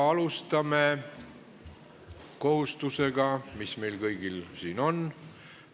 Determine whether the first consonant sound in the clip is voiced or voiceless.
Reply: voiced